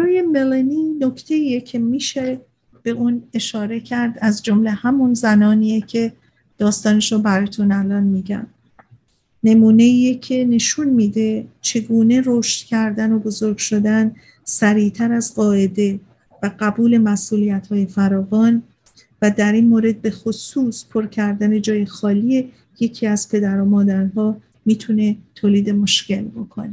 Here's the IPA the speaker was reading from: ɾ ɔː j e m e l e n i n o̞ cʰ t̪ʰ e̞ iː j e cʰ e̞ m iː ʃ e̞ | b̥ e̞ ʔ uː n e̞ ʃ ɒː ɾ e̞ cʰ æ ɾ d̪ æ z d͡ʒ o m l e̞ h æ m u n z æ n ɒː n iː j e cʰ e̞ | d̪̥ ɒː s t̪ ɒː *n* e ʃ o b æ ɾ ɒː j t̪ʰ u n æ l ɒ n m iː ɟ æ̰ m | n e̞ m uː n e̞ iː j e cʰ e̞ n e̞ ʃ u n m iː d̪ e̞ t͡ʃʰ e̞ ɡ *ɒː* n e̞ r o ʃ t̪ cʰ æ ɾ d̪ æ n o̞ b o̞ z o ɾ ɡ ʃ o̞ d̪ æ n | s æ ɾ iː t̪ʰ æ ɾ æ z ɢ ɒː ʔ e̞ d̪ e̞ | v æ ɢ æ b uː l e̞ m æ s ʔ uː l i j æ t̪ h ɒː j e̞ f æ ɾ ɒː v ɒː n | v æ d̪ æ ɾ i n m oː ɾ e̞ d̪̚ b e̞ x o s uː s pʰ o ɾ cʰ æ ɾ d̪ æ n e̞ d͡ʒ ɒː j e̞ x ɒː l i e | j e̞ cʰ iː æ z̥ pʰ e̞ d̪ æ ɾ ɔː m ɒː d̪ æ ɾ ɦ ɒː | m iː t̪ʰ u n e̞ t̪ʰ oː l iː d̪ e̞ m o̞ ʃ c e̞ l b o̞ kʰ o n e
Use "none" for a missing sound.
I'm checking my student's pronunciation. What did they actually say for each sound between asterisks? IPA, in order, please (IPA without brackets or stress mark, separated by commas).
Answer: n, uː